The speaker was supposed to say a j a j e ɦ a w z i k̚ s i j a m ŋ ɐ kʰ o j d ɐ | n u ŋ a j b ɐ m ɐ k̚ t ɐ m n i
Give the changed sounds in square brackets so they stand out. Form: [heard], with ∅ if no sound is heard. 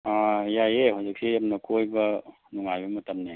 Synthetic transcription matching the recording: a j a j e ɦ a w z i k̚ s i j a m [n] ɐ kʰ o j [b] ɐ | n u ŋ a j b ɐ m ɐ [∅] t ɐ m n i